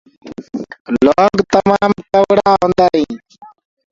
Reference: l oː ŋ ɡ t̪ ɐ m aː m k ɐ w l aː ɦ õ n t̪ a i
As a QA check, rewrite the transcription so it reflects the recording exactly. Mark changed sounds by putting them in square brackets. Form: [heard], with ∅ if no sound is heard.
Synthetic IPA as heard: l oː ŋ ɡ t̪ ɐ m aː m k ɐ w [ɽ] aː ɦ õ n [d̪] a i